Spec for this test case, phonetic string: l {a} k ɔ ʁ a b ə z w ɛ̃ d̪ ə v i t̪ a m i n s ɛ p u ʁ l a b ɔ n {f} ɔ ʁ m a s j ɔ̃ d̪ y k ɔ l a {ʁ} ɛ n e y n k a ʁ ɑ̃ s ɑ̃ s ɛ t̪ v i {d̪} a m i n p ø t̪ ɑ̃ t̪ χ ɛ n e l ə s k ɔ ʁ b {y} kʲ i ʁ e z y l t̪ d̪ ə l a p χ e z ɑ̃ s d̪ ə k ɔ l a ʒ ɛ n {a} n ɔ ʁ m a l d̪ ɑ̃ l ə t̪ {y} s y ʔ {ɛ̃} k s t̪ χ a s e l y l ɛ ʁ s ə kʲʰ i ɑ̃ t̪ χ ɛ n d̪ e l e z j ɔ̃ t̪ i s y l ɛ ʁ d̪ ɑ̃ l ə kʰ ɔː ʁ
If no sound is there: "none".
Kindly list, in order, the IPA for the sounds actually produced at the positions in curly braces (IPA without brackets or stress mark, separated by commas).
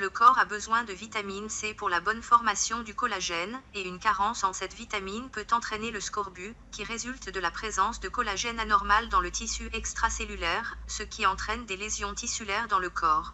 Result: ə, f, ʒ, t̪, y, a, i, ɛ